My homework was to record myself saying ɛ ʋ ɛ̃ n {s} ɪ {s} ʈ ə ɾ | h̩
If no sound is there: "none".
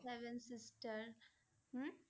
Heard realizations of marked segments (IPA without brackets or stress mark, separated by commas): s, s